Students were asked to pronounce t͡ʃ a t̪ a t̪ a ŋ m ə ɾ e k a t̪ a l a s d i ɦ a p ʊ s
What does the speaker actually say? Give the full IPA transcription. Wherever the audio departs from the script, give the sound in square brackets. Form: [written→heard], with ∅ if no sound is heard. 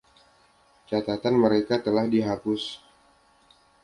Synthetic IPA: t͡ʃ a t̪ a t̪ a [ŋ→n] m ə ɾ e k a t̪ [a→ə] l a [s→h] d i ɦ a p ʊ s